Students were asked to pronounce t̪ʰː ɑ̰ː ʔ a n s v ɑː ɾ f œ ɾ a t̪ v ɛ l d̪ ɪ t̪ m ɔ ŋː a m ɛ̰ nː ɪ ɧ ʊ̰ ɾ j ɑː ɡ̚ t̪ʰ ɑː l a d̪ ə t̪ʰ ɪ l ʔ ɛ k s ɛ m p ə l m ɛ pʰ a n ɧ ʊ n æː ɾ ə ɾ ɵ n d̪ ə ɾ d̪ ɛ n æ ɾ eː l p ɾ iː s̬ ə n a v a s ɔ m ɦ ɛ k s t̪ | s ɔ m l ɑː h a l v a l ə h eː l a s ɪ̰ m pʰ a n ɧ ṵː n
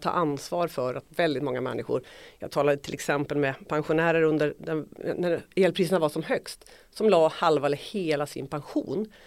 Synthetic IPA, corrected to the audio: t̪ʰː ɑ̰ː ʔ a n s v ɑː ɾ f œ ɾ a t̪ v ɛ l d̪ ɪ t̪ m ɔ ŋː a m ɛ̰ nː ɪ ɧ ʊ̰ ɾ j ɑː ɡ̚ t̪ʰ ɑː l a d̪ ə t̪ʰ ɪ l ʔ ɛ k s ɛ m p ə l m ɛ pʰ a n ɧ ʊ n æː ɾ ə ɾ ɵ n d̪ ə ɾ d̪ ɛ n æ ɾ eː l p ɾ iː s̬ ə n a v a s ɔ m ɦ œ k s t̪ | s ɔ m l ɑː h a l v a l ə h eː l a s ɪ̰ n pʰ a n ɧ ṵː n